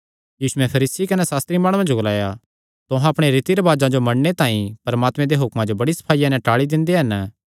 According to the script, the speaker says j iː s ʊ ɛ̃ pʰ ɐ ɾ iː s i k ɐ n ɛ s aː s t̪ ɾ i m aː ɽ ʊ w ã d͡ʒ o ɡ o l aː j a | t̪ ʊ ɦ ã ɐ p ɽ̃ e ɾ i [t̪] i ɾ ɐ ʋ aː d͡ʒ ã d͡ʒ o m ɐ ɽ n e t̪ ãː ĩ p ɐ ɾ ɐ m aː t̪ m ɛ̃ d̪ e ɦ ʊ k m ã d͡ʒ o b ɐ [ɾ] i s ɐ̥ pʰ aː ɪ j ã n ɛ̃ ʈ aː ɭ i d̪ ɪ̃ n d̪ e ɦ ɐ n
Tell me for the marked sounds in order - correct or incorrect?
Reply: correct, incorrect

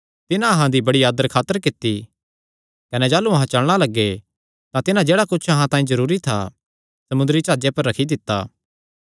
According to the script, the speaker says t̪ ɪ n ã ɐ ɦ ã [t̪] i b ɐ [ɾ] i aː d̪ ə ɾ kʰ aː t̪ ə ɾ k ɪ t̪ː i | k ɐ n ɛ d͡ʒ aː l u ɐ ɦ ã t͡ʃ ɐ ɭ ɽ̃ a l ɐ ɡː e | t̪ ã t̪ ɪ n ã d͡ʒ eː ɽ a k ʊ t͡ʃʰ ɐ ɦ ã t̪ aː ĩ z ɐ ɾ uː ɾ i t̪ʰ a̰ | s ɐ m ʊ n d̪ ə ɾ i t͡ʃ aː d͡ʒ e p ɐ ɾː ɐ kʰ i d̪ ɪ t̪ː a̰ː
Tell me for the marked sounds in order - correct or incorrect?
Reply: incorrect, incorrect

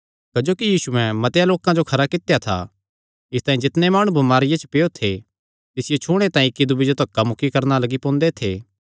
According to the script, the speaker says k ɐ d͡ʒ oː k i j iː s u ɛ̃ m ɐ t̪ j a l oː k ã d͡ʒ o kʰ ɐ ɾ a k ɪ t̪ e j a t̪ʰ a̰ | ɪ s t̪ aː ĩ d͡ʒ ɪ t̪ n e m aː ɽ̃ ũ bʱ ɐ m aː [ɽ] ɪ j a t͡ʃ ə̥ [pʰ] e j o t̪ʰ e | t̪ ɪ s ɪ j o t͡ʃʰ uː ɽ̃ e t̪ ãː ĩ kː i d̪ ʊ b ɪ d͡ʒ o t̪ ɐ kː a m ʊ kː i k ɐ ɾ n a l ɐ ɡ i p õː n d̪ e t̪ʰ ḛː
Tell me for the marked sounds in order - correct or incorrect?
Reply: incorrect, incorrect

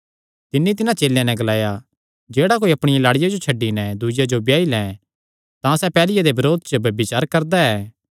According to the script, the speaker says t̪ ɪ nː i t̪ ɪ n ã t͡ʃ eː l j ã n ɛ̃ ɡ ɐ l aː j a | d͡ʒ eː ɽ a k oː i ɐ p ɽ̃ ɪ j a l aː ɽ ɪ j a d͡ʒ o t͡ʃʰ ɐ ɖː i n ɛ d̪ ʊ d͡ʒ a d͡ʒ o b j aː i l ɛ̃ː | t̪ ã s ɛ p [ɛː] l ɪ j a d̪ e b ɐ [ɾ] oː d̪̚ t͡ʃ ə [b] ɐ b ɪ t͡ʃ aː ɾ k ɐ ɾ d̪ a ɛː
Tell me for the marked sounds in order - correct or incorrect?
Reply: correct, correct, correct

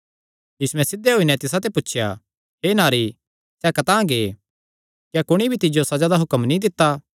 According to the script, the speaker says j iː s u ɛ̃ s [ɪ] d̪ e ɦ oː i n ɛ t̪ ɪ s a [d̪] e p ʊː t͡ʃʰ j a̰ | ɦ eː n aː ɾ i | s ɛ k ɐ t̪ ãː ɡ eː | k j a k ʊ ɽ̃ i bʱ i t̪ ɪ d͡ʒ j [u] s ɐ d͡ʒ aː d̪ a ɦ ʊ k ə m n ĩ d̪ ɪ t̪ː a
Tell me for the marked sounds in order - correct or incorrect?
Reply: correct, incorrect, incorrect

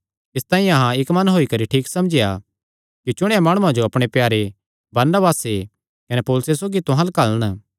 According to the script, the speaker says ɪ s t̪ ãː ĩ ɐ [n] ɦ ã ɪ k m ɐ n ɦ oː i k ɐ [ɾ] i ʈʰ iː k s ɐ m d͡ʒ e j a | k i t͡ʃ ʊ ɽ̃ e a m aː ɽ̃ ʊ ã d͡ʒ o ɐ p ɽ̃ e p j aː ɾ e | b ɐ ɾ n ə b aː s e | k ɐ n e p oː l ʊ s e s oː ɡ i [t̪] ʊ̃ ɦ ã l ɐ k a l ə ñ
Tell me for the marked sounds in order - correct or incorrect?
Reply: incorrect, correct, correct

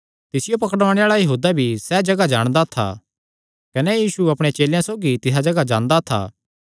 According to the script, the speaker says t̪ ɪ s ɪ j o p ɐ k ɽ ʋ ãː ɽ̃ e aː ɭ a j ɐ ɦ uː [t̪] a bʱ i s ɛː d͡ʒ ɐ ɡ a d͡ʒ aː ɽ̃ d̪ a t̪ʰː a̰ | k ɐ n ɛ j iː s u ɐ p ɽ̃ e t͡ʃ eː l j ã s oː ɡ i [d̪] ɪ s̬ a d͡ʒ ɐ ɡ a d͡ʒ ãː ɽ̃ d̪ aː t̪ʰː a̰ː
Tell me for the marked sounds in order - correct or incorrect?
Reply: incorrect, incorrect

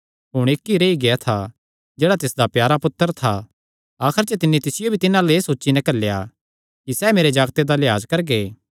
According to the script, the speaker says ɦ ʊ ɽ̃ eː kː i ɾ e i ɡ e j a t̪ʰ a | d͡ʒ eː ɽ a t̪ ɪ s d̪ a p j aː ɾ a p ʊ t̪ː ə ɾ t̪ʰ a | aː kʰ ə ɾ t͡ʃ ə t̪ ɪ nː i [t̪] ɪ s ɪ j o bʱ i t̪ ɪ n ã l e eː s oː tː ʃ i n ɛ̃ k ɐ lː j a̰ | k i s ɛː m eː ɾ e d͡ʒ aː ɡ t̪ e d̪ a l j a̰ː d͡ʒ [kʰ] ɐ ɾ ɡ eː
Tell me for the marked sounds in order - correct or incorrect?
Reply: correct, incorrect

